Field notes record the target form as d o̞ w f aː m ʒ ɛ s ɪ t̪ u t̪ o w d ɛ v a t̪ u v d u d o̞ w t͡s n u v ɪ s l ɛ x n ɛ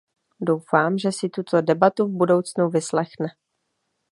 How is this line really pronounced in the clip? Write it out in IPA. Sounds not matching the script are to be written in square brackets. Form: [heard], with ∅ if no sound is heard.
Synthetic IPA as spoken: d o̞ w f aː m ʒ ɛ s ɪ t̪ u t̪ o [∅] d ɛ [b] a t̪ u v [b] u d o̞ w t͡s n u v ɪ s l ɛ x n ɛ